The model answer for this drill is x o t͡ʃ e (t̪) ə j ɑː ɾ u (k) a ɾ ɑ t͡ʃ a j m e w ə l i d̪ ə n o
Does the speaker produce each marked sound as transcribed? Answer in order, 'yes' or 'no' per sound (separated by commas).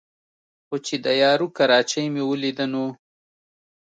no, yes